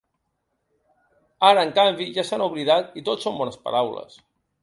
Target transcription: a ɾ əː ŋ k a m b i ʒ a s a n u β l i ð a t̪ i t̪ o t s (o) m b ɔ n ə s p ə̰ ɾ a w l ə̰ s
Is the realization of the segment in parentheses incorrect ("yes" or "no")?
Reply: no